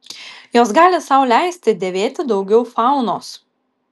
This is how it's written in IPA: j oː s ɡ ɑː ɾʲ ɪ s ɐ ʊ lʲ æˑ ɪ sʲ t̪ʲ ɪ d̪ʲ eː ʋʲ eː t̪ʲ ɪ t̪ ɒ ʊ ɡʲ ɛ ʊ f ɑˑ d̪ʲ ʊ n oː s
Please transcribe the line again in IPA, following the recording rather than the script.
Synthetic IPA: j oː s ɡ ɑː lʲ ɪ s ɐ ʊ lʲ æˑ ɪ sʲ t̪ʲ ɪ d̪ʲ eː ʋʲ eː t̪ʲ ɪ d̪ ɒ ʊ ɡʲ ɛ ʊ f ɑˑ ʊ n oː s